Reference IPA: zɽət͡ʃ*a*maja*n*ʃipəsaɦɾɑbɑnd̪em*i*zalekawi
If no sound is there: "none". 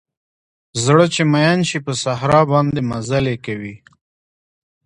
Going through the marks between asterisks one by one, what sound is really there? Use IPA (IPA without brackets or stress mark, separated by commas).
e, n, a